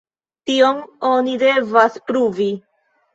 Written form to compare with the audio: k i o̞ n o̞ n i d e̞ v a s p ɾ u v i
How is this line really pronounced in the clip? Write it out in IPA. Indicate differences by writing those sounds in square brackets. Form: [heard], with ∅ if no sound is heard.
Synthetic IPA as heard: [t] i o̞ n o̞ n i d e̞ v a s p ɾ u v i